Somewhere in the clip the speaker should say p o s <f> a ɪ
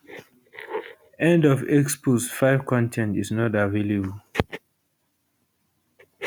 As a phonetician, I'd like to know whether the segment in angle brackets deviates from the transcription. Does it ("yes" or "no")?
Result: no